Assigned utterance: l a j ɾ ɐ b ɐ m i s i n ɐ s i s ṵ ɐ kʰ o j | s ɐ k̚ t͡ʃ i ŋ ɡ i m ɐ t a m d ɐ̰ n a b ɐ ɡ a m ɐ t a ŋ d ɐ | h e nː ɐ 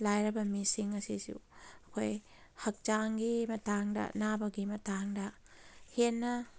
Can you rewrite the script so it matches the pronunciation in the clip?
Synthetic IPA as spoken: l a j ɾ ɐ b ɐ m i s i ŋ ɐ s i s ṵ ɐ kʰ o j | h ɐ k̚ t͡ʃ a ŋ ɡ i m ɐ t a ŋ d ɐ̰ n a b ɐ ɡ i m ɐ t a ŋ d ɐ | h e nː ɐ